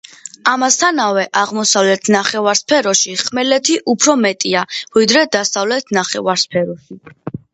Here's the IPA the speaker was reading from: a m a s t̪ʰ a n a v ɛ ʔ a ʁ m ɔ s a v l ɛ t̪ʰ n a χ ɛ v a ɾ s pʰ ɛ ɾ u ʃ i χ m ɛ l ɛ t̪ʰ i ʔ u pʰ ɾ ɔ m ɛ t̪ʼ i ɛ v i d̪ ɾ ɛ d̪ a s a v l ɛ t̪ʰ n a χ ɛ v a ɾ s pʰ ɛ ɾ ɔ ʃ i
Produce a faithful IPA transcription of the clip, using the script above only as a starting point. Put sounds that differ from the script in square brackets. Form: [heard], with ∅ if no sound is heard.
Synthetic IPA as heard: a m a s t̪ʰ a n a v ɛ ʔ a ʁ m ɔ s a v l ɛ t̪ʰ n a χ ɛ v a ɾ s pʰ ɛ ɾ [ɔ] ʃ i χ m ɛ l ɛ t̪ʰ i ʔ u pʰ ɾ ɔ m ɛ t̪ʼ i [a] v i d̪ ɾ ɛ d̪ a s a v l ɛ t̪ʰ n a χ ɛ v a ɾ s pʰ ɛ ɾ ɔ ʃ i